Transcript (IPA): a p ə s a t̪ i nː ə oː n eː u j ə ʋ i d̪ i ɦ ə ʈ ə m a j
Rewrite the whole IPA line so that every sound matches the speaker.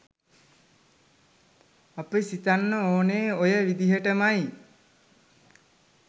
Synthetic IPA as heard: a p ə s i t̪ a nː ə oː n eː o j ə ʋ i d̪ i ɦ ə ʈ ə m a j